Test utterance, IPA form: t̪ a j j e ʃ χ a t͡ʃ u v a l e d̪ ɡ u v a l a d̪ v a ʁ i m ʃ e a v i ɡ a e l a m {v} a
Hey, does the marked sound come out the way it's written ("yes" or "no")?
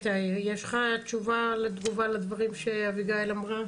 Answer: no